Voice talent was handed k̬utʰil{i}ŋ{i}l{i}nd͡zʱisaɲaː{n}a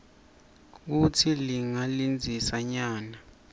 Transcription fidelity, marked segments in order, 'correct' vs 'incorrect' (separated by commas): correct, incorrect, correct, correct